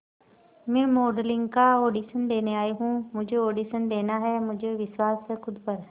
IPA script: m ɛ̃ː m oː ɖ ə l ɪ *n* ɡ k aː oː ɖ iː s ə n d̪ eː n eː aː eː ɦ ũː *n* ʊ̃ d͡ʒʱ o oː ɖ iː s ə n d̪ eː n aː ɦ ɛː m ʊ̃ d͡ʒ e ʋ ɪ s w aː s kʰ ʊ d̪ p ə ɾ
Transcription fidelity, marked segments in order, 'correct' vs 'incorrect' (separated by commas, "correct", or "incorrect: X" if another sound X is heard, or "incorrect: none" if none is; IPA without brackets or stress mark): incorrect: ŋ, incorrect: m